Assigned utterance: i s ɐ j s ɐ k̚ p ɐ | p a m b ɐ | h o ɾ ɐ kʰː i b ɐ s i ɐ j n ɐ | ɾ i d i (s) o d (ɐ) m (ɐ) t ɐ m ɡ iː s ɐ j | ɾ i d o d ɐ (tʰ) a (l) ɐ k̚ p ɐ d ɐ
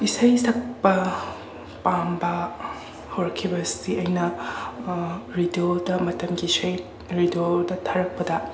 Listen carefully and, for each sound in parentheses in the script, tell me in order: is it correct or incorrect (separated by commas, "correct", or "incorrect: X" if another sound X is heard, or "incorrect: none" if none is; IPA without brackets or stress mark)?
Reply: incorrect: none, correct, correct, correct, incorrect: ɾ